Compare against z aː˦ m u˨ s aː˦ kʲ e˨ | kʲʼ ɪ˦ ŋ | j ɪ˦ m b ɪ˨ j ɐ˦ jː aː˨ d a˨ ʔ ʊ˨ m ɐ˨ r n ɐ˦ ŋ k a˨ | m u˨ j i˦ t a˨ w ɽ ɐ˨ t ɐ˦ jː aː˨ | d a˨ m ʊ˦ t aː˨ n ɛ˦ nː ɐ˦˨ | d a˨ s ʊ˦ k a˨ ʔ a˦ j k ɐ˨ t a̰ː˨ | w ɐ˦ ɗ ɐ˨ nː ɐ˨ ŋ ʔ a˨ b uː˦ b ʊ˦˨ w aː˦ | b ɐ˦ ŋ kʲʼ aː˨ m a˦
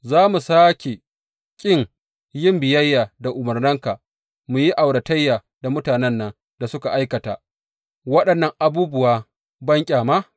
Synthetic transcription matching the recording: z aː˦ m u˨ s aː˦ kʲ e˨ | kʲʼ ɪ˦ ŋ | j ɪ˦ m b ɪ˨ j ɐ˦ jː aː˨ d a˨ ʔ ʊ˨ m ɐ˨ r n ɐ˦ ŋ k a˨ | m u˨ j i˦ ʔ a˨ w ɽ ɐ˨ t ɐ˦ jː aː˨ | d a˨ m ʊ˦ t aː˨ n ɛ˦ nː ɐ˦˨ | d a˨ s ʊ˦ k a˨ ʔ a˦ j k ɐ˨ t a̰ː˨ | w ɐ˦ ɗ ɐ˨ nː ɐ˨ ŋ ʔ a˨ b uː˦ b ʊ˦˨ w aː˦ | b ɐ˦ ŋ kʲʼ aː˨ m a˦